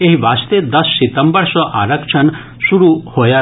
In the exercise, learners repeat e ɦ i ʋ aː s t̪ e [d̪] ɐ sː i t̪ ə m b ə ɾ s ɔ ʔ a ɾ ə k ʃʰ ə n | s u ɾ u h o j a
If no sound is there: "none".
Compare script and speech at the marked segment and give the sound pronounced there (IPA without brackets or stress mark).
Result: d̪